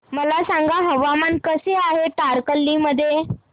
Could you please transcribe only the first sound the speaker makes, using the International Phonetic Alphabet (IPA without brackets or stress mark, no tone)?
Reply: m